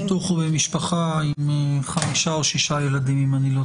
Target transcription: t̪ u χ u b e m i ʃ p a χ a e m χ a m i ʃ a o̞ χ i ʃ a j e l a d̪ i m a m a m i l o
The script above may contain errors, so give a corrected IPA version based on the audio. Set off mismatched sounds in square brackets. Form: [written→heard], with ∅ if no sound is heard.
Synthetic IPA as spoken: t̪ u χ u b e m i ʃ p a χ a [e→i] m χ a m i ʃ a o̞ [χ→ʃ] i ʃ a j e l a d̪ i m [a→i] m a [m→n] i l o